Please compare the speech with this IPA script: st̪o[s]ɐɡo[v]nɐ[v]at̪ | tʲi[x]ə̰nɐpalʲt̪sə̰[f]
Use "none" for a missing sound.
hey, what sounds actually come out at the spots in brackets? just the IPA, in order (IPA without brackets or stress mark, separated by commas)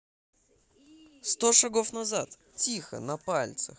ʂ, f, z, x, x